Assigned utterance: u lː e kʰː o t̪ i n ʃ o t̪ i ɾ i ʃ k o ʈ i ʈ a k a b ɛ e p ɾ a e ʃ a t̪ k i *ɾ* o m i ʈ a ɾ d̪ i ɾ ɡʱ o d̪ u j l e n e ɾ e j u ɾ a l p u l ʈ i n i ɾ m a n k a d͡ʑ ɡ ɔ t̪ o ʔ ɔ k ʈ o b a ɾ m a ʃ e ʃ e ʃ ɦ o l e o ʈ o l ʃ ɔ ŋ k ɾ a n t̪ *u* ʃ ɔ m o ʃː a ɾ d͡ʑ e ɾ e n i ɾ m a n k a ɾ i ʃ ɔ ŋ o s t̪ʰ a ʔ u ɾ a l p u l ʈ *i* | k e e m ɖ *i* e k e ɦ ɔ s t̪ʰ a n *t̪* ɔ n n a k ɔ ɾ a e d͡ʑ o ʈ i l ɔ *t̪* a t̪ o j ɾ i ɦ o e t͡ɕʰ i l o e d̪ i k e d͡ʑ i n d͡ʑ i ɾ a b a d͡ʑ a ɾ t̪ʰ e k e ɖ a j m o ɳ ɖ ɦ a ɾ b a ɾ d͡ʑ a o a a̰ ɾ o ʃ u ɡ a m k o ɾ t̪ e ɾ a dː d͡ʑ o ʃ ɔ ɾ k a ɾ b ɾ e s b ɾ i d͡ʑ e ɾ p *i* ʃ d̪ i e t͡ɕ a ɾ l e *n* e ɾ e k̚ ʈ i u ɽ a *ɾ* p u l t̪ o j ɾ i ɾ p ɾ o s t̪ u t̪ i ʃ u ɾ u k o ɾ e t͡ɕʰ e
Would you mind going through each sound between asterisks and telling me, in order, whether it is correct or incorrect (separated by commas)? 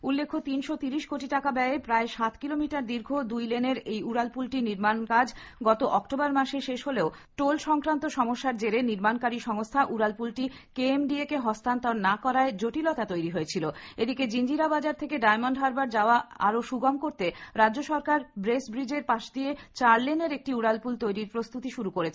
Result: incorrect, incorrect, correct, correct, correct, correct, incorrect, correct, incorrect